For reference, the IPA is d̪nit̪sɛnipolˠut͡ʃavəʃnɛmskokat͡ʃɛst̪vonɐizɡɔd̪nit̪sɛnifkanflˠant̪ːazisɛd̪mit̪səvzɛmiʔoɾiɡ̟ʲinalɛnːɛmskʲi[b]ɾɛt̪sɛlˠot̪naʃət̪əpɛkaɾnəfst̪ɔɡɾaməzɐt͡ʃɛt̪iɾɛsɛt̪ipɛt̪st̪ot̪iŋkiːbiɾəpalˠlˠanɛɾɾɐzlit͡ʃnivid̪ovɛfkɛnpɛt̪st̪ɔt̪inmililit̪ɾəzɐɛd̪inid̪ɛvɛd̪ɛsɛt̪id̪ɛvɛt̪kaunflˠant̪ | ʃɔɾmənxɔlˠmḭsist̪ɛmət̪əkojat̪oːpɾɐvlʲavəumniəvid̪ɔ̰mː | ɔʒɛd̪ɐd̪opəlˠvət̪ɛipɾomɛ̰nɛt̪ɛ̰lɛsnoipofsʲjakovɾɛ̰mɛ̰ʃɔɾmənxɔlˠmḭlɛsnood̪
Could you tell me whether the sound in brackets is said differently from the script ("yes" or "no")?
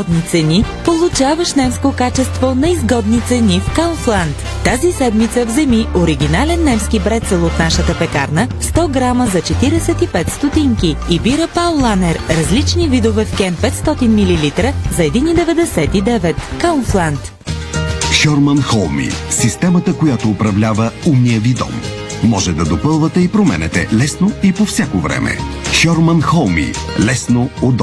no